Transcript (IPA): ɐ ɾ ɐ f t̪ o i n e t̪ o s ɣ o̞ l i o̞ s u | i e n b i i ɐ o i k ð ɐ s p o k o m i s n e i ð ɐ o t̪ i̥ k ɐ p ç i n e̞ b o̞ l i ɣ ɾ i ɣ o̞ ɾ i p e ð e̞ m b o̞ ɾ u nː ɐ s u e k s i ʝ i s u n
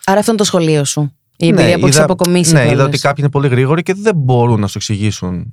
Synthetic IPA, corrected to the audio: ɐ ɾ ɐ f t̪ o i n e t̪ o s x o̞ l i o̞ s u | i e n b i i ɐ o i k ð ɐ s p o k o m i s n e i ð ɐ o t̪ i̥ k ɐ p ç i n e̞ p o̞ l i ɣ ɾ i ɣ o̞ ɾ i c e ð e̞ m b o̞ ɾ u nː ɐ s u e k s i ʝ i s u n